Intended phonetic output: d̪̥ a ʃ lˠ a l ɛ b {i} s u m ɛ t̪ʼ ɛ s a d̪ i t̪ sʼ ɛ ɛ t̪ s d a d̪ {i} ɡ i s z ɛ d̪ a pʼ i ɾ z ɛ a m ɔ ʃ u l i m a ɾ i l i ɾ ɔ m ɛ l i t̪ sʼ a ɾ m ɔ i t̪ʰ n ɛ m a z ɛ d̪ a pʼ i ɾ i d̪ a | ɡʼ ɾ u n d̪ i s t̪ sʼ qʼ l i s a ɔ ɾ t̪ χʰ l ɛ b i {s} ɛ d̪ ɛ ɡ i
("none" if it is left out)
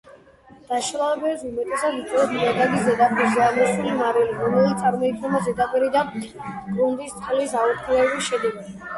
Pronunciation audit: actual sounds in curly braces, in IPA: ɛ, a, ʃ

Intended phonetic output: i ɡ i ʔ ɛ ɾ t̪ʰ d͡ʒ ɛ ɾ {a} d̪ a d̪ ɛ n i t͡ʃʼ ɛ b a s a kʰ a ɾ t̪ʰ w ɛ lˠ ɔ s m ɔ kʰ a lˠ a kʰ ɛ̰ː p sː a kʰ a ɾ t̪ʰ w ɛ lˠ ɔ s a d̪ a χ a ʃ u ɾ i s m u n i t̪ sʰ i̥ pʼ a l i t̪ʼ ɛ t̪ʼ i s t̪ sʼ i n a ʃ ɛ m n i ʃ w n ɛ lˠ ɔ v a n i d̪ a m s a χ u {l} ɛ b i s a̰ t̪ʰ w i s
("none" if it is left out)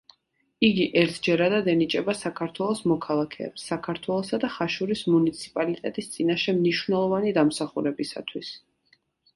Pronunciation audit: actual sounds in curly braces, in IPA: a, ɾ

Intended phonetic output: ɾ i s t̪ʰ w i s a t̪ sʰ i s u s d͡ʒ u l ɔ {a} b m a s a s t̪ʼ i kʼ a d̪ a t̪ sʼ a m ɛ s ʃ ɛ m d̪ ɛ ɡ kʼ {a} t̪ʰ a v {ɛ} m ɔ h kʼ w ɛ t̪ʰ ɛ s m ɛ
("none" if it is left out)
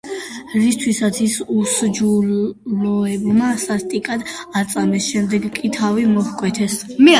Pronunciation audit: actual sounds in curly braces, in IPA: ɛ, i, i

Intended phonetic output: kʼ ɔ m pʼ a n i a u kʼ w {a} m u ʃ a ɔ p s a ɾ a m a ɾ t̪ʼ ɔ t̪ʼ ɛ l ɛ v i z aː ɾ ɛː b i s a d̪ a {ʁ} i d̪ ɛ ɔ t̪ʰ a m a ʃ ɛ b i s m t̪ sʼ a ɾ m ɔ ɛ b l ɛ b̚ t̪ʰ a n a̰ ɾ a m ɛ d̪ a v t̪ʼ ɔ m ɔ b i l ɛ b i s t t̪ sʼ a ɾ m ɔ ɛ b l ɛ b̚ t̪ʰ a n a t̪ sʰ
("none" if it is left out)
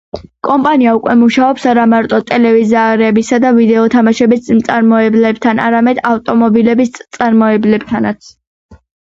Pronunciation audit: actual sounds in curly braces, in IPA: ɛ, v

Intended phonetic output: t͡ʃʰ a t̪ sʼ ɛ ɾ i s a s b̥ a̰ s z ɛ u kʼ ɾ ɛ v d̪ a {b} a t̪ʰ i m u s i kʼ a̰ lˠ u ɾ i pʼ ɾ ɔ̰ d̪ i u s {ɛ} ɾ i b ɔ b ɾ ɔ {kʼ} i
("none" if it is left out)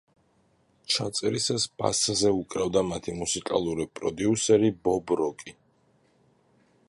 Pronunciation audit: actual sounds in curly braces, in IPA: m, ɛ, kʼ

